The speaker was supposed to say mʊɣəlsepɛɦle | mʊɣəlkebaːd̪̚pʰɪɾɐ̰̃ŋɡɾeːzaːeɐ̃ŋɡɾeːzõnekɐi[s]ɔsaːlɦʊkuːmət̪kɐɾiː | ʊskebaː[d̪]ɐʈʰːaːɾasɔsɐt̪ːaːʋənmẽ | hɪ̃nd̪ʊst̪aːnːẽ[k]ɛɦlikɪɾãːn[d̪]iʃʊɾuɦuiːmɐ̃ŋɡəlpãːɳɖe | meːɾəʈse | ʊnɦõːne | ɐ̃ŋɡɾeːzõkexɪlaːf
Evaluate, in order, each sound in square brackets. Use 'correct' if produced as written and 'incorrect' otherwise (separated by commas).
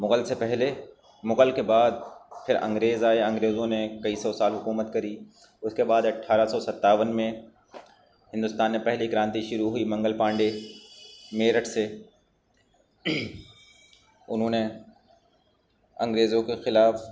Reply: correct, correct, incorrect, incorrect